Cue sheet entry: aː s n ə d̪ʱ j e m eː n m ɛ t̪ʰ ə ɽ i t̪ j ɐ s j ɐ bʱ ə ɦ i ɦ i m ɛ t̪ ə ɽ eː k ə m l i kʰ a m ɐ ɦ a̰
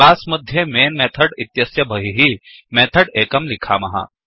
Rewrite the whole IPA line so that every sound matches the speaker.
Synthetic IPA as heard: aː s m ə d̪ʱ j e m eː n m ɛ t̪ʰ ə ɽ i t̪ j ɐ s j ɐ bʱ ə ɦ i ɦ i m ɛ t̪ʰ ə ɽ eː k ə m l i kʰ a m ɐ ɦ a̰